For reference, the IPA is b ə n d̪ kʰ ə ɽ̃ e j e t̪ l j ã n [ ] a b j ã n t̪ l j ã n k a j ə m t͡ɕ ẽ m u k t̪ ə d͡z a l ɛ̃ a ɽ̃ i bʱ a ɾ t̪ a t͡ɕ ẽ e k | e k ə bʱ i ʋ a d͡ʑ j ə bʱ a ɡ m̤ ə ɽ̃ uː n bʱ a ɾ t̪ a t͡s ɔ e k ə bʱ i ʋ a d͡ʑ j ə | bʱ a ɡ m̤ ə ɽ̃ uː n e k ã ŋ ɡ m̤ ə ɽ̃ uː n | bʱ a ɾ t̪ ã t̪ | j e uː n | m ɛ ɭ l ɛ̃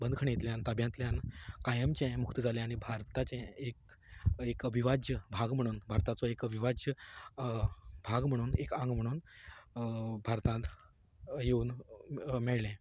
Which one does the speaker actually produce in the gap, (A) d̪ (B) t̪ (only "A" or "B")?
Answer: B